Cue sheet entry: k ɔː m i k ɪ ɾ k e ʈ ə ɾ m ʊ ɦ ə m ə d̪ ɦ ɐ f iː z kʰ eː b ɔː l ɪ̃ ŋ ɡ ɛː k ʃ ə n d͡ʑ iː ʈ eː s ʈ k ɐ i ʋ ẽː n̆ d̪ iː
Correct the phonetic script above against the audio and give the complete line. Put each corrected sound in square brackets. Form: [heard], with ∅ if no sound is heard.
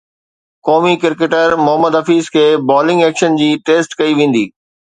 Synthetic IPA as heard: k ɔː m i k ɪ ɾ k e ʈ ə ɾ m ʊ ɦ ə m ə d̪ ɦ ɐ f iː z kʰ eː b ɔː l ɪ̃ ŋ ɡ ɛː k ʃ ə n d͡ʑ iː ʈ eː s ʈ k ɐ i ʋ ẽː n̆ d̪ iː